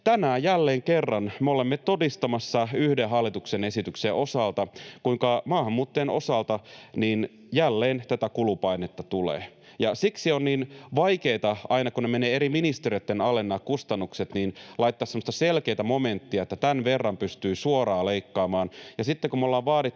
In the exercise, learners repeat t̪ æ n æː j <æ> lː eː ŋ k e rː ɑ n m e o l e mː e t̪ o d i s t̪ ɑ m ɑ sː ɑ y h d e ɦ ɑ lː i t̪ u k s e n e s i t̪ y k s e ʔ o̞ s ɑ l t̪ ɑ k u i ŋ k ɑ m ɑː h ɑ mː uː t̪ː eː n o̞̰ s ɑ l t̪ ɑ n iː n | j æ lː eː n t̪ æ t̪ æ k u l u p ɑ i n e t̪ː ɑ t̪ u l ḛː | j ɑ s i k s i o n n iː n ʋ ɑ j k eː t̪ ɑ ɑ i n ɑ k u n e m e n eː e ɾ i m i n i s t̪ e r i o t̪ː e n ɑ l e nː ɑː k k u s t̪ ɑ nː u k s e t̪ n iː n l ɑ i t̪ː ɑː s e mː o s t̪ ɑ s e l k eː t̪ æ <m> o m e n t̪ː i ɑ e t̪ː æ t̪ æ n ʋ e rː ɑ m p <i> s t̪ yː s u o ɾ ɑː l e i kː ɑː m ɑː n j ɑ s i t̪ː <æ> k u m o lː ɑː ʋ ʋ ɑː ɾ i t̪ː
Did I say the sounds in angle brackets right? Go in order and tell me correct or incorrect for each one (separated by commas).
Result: correct, correct, incorrect, incorrect